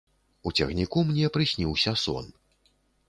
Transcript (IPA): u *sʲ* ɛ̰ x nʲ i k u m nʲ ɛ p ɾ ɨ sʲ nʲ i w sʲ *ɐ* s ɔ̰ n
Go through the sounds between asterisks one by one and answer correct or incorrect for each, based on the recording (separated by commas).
incorrect, correct